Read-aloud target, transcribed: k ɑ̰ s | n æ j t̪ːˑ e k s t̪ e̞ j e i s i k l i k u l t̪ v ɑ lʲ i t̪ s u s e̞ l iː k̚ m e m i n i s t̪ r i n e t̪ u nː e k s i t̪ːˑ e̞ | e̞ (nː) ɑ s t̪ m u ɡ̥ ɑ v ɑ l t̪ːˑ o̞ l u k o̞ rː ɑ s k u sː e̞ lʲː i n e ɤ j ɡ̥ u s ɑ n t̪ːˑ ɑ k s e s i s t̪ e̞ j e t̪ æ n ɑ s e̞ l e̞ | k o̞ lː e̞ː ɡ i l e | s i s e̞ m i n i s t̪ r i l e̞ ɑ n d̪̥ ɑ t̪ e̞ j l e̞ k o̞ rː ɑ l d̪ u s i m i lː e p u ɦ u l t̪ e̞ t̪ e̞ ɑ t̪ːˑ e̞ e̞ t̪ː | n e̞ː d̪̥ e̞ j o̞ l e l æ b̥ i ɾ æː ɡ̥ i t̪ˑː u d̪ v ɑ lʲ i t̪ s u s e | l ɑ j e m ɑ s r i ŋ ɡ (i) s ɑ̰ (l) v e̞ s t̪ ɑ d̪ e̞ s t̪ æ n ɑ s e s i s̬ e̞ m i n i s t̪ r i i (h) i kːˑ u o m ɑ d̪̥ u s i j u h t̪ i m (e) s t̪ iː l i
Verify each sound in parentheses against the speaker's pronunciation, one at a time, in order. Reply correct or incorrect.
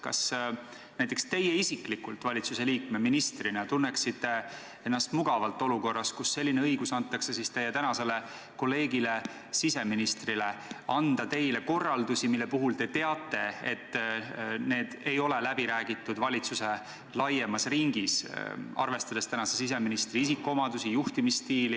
correct, correct, incorrect, incorrect, incorrect

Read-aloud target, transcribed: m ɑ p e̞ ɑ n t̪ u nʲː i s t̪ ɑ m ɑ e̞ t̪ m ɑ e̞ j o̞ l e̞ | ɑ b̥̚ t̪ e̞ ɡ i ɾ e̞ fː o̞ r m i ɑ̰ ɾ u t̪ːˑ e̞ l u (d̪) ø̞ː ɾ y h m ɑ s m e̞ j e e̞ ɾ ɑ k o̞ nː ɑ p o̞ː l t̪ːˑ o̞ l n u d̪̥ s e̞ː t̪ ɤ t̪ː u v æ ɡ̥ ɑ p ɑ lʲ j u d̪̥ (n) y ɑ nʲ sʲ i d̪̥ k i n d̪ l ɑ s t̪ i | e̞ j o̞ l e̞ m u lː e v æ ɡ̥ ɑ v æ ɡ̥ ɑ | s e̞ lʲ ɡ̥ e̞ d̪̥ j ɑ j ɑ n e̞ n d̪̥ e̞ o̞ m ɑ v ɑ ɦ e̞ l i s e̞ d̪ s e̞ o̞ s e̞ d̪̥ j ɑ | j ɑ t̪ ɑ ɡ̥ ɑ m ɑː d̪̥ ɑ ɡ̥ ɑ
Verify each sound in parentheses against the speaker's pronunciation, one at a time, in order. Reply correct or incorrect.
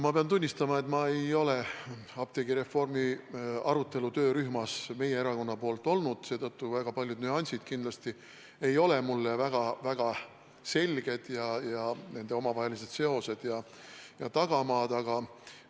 incorrect, correct

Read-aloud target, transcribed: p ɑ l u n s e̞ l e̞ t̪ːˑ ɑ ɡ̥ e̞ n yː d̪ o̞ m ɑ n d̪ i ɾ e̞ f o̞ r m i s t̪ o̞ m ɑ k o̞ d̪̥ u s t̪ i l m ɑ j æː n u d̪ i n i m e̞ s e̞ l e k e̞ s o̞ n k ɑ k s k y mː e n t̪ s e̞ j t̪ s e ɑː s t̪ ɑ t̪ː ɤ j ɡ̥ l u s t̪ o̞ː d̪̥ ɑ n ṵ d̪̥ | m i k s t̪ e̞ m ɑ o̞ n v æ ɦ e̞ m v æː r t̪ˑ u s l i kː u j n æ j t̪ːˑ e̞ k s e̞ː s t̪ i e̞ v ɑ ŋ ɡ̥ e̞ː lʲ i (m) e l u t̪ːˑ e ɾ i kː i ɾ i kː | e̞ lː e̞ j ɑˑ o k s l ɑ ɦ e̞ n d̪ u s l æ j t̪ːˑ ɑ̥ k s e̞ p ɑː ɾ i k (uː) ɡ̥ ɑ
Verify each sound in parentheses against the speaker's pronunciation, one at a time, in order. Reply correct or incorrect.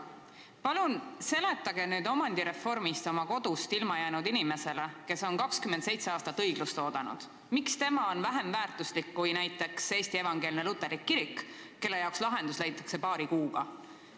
incorrect, correct

